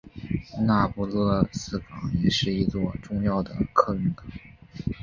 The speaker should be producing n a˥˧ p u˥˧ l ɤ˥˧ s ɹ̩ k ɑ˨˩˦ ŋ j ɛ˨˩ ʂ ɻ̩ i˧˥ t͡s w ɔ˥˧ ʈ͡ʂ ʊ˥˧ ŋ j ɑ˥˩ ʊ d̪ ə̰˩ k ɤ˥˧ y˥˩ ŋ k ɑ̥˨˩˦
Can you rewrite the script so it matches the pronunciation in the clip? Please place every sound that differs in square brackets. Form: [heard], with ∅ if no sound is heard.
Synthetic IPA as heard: n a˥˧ p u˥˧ l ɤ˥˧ s ɹ̩ k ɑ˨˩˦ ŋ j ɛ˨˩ ʂ ɻ̩ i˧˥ t͡s w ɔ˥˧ ʈ͡ʂ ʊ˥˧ ŋ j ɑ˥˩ ʊ d̪ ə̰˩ [kʰ] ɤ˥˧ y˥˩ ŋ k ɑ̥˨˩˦